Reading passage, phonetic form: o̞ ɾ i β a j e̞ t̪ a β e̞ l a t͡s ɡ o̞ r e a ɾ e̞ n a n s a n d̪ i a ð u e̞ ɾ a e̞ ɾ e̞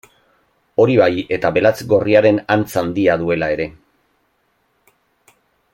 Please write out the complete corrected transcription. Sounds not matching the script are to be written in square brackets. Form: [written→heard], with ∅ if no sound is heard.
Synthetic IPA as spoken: o̞ ɾ i β a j e̞ t̪ a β e̞ l a t͡s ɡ o̞ r [e→i] a ɾ e̞ n a n [s→t͡s] a n d̪ i a ð u e̞ [ɾ→l] a e̞ ɾ e̞